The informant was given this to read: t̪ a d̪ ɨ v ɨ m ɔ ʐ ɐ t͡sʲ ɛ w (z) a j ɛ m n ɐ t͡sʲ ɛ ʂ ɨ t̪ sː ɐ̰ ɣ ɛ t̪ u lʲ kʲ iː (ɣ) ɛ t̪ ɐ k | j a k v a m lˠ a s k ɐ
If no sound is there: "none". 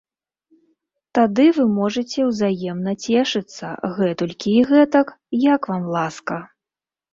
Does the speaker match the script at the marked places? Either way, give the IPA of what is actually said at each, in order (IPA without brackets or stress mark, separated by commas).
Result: z, ɣ